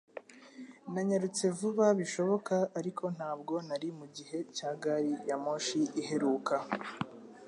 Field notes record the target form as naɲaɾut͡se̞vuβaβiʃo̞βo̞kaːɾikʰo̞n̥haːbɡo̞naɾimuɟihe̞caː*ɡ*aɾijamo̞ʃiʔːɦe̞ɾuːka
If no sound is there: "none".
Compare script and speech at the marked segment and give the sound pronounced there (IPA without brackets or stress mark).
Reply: ɡ